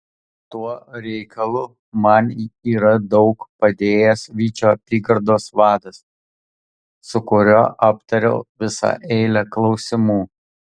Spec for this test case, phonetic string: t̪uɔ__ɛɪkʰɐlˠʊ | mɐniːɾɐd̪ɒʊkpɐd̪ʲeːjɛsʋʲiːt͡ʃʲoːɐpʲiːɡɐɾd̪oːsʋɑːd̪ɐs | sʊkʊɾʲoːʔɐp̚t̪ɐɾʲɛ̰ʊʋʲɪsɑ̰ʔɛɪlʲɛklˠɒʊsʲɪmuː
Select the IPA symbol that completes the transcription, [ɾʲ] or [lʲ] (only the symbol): ɾʲ